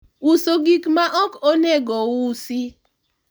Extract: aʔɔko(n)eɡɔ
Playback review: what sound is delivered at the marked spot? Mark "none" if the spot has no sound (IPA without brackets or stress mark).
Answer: n